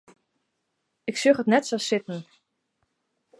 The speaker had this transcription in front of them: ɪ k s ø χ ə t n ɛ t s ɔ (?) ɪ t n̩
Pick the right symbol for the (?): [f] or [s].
s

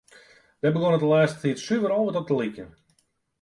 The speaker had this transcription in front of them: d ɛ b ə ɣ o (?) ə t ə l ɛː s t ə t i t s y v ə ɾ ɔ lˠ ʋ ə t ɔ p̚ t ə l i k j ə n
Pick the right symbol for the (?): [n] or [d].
n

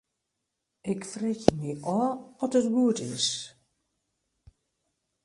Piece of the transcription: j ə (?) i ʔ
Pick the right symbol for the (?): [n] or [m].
m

